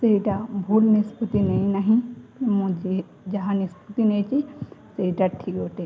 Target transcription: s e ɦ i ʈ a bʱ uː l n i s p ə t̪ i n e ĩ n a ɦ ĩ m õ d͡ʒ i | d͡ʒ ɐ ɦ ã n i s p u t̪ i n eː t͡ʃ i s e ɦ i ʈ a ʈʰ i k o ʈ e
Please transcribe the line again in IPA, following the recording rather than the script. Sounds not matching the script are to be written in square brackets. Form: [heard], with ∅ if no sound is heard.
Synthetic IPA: s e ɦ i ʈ a bʱ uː l n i s p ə t̪ i n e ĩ n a ɦ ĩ m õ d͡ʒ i | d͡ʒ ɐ ɦ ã n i s p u t̪ i n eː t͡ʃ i s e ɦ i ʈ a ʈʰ i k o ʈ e